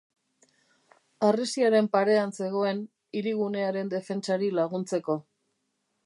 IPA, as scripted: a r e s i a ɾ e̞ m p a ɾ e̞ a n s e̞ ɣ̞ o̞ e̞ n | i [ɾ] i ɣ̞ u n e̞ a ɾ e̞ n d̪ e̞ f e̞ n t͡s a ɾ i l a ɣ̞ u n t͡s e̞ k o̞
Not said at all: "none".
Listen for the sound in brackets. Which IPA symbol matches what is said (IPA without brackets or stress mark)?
ɾ